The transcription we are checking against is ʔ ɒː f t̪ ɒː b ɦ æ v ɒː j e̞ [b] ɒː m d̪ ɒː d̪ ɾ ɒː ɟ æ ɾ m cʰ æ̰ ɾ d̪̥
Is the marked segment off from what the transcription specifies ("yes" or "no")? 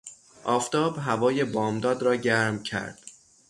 no